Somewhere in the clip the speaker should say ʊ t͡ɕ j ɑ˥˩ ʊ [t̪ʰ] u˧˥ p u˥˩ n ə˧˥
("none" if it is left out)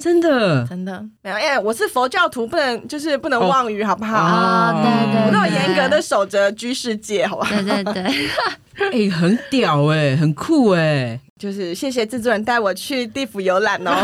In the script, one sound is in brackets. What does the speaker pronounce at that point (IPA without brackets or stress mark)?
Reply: t̪ʰ